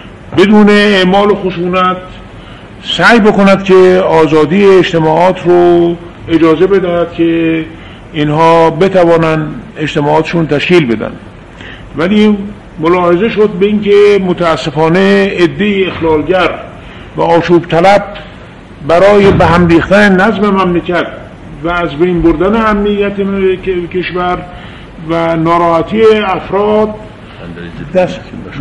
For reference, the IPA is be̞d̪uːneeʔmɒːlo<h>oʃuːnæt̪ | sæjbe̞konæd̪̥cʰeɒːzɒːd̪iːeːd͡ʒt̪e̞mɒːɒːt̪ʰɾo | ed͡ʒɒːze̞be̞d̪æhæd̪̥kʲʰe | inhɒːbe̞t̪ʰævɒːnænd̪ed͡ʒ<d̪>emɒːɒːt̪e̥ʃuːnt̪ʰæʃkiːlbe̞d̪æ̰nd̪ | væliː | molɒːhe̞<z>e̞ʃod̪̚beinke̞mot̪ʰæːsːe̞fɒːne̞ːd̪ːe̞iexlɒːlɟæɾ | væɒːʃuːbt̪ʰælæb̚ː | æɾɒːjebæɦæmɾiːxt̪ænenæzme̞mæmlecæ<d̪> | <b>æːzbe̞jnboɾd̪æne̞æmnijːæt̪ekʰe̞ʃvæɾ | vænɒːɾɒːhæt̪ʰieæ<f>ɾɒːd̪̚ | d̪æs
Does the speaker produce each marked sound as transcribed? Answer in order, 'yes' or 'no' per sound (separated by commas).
no, no, yes, no, no, yes